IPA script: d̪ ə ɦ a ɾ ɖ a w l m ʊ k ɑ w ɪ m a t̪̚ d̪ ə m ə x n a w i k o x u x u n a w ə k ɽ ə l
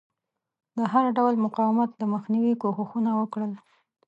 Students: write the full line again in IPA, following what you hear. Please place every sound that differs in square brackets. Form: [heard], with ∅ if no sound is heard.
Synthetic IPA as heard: d̪ ə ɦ a ɾ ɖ a w l m ʊ [q] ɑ w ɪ m a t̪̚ d̪ ə m ə x n [i] w i k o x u x u n a w ə k ɽ ə l